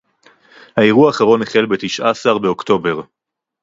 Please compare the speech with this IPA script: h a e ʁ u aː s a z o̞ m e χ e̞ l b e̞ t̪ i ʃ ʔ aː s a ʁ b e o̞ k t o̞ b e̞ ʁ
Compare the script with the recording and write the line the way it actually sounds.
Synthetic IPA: h a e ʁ u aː χ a ʁ o̞ n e χ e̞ l b e̞ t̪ i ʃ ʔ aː s a ʁ b e o̞ k t o̞ b e̞ ʁ